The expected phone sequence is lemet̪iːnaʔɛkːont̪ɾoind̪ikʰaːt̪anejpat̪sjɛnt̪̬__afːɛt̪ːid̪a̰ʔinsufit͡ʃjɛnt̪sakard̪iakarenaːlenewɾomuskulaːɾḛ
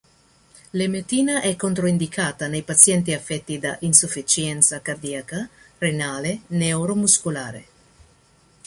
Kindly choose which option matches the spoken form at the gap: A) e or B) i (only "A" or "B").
B